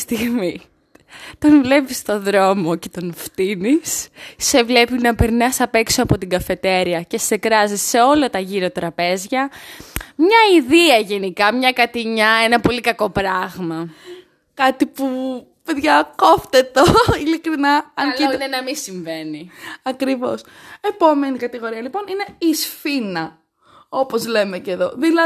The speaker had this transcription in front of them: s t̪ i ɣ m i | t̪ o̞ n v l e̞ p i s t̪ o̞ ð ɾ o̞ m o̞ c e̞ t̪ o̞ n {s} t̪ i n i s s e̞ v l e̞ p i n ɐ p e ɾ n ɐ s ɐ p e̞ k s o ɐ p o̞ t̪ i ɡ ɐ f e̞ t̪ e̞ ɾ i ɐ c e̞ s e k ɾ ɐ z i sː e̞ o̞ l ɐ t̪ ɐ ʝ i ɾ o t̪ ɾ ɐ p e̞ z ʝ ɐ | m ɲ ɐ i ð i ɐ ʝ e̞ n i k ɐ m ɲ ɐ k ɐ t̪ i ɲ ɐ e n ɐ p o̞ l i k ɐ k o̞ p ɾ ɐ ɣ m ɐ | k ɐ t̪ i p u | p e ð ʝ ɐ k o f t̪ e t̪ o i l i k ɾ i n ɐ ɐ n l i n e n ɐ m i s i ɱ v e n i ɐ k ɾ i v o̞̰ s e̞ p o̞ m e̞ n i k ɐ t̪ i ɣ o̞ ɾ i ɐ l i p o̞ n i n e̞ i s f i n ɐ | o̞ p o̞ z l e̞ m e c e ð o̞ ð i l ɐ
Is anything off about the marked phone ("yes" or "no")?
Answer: yes